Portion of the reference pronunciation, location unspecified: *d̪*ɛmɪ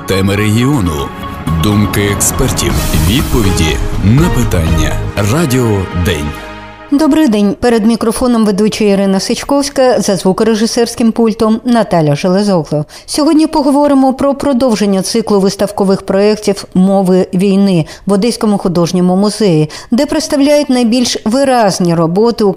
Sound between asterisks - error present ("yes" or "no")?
yes